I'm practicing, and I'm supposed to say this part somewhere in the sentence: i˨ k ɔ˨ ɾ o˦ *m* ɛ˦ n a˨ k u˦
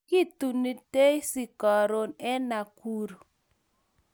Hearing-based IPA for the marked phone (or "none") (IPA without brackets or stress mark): n